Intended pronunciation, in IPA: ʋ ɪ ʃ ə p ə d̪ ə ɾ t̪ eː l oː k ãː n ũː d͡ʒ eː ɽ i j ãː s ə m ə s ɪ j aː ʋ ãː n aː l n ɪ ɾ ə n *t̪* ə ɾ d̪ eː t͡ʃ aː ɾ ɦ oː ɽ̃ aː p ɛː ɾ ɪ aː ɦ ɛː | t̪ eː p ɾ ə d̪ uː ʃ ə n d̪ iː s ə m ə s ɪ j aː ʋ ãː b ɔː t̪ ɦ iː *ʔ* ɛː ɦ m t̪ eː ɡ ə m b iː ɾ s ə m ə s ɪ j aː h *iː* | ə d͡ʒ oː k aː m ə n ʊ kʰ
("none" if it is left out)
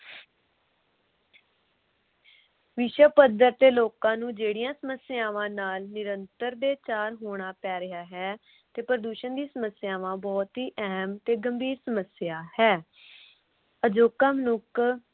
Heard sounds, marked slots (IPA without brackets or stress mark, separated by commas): t̪, ʔ, ɛː